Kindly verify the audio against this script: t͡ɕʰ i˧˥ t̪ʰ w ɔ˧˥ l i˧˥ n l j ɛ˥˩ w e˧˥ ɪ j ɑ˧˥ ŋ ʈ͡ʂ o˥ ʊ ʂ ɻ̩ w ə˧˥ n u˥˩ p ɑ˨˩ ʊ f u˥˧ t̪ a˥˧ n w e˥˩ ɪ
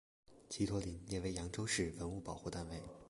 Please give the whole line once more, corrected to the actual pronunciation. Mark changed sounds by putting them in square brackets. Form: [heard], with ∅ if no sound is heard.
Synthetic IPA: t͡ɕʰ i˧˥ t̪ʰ w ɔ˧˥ l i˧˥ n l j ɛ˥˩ w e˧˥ ɪ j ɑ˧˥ ŋ ʈ͡ʂ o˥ ʊ ʂ ɻ̩ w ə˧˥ n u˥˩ p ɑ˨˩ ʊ [x] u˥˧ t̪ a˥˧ n w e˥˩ ɪ